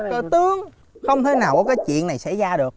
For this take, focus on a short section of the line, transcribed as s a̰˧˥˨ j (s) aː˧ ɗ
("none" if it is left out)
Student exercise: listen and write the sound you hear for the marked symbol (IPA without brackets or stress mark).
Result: z